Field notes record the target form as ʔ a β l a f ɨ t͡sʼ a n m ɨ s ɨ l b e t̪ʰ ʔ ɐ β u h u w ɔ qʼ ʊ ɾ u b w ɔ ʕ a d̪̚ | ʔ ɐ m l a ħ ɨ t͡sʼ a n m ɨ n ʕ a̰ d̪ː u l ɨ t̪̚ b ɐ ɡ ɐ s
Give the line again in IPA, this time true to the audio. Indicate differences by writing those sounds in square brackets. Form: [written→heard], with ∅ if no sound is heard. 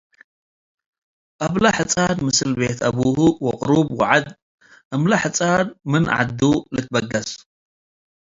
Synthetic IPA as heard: ʔ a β l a [f→ħ] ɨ t͡sʼ a n m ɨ s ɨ l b e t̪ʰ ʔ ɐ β u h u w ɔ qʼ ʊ ɾ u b w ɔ ʕ a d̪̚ | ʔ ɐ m l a ħ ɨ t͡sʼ a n m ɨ n ʕ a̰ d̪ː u l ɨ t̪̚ b ɐ ɡ ɐ s